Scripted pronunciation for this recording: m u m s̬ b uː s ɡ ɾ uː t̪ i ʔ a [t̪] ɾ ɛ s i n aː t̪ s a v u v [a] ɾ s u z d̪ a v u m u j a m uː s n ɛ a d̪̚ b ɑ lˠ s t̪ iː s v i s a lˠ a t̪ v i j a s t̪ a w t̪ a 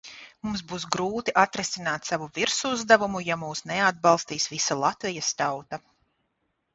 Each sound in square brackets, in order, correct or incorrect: correct, incorrect: i

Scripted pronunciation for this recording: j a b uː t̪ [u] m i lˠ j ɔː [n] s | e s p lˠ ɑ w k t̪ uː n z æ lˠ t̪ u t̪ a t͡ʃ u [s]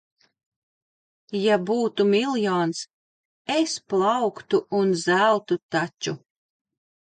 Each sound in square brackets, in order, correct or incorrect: correct, correct, incorrect: none

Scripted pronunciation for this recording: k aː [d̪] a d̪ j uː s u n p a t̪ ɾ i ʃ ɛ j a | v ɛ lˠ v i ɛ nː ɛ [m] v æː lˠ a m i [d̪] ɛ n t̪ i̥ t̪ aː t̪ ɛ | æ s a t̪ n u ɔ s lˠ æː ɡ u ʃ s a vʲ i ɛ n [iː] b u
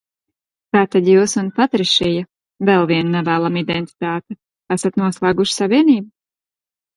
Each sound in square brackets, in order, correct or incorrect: incorrect: t̪, incorrect: none, correct, correct

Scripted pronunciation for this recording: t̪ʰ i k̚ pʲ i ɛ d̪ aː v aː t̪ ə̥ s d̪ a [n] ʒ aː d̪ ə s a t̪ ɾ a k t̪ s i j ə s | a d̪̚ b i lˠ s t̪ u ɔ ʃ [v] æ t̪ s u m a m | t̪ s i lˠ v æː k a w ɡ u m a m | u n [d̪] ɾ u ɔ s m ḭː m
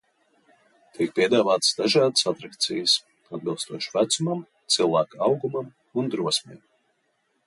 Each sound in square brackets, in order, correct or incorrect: incorrect: none, correct, correct

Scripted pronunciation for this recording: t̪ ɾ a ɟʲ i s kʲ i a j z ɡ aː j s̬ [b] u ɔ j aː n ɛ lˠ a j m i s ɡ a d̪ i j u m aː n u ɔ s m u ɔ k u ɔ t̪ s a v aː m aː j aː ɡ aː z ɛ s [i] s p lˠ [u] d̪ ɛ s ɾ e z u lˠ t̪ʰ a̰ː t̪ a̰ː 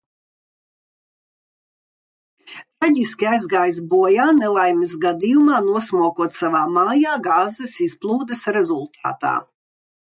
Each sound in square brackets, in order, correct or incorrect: correct, correct, incorrect: uː

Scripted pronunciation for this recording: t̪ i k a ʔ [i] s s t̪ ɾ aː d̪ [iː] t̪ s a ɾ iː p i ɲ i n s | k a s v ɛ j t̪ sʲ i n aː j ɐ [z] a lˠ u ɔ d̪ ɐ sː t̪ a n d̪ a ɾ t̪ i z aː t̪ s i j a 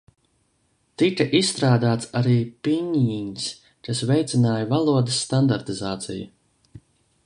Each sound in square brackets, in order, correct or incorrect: correct, incorrect: aː, incorrect: v

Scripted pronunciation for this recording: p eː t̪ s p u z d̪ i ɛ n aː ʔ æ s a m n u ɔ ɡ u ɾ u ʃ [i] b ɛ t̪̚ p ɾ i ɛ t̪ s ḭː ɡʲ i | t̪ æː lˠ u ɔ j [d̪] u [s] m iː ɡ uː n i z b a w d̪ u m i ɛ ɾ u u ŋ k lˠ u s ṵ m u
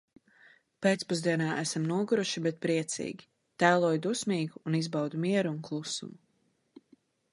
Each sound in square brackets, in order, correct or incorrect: correct, correct, correct

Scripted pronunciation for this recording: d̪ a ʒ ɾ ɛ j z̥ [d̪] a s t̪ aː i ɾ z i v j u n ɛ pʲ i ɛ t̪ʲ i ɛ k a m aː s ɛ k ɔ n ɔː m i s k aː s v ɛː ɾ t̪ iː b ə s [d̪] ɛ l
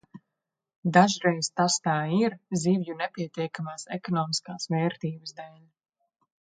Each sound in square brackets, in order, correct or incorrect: incorrect: t̪, correct

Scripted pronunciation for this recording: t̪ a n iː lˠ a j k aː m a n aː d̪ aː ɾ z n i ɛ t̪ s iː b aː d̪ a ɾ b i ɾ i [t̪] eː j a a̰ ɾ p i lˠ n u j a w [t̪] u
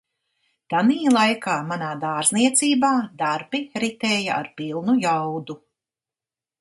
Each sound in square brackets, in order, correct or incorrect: correct, incorrect: d̪

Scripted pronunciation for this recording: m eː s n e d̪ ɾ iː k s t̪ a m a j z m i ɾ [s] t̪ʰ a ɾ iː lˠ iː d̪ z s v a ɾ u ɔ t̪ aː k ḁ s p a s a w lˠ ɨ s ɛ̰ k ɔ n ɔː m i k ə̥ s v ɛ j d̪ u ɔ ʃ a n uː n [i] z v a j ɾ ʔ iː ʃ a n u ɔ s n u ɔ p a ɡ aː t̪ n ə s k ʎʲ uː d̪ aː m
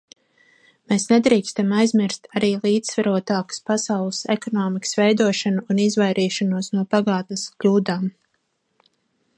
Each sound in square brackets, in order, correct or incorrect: correct, correct

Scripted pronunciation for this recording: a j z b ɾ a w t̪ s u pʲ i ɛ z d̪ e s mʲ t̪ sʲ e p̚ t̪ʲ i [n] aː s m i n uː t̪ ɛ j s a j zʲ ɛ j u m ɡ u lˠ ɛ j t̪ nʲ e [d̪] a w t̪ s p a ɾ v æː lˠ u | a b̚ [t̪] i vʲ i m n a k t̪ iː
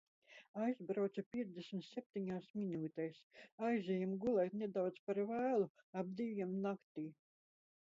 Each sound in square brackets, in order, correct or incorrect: incorrect: ɲ, correct, incorrect: d̪

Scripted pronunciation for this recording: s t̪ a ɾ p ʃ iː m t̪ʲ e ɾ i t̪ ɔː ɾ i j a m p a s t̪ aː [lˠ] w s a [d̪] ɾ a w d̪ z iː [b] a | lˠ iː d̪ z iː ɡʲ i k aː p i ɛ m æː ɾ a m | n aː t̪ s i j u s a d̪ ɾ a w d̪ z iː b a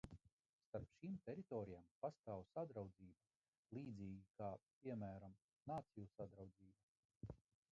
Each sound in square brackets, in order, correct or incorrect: incorrect: none, correct, correct

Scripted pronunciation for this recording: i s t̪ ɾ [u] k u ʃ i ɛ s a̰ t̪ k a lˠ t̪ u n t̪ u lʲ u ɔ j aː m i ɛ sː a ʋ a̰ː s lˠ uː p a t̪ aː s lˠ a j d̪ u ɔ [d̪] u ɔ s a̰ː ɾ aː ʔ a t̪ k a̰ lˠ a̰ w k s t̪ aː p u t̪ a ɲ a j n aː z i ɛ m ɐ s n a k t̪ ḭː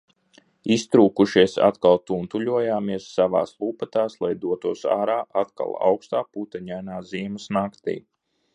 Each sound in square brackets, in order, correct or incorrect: incorrect: uː, incorrect: t̪

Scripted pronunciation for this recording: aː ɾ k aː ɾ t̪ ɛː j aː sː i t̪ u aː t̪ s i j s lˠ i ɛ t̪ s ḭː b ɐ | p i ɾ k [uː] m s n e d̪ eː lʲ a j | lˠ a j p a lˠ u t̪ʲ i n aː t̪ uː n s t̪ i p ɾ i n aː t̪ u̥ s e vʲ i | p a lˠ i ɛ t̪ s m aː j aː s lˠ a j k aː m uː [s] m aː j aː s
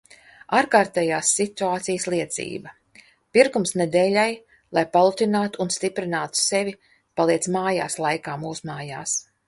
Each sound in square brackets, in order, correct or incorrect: incorrect: u, correct

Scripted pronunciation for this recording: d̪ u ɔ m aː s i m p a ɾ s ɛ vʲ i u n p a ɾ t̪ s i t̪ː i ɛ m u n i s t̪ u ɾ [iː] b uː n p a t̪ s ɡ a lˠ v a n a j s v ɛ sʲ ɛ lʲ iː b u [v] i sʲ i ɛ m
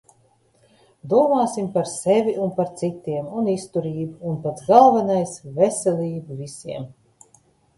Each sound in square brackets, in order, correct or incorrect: correct, correct

